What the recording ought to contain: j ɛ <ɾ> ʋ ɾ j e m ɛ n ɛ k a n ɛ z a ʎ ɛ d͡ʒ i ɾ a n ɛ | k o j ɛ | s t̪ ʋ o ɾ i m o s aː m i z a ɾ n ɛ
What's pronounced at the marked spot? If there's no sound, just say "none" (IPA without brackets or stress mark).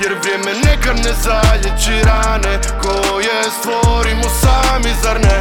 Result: ɾ